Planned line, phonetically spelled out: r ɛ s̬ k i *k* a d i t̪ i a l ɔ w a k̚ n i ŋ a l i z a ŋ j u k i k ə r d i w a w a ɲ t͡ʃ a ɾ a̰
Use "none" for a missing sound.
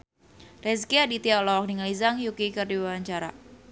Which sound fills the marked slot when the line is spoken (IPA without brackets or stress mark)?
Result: none